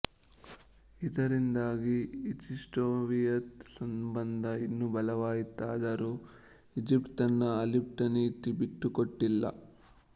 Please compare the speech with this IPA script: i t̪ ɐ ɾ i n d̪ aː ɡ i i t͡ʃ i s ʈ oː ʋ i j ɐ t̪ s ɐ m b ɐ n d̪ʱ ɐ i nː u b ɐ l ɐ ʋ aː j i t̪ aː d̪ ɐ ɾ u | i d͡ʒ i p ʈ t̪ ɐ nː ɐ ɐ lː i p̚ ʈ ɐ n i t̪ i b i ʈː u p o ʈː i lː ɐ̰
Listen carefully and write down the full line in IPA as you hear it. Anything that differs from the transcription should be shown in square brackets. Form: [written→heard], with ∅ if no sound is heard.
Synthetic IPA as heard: i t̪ ɐ ɾ i n d̪ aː ɡ i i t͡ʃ i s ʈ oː ʋ i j ɐ t̪ s ɐ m b ɐ n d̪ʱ ɐ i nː u b ɐ l ɐ ʋ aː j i t̪ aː d̪ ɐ ɾ u | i d͡ʒ i p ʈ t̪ ɐ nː ɐ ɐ [lː→l] i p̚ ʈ ɐ n i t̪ i b i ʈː u [p→k] o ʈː i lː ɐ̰